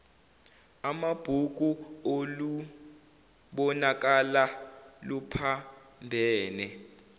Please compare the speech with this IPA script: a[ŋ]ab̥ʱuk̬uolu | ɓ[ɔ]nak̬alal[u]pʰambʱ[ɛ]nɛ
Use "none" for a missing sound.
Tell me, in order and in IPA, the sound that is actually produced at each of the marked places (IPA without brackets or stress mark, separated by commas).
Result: m, ɔ, u, ɛː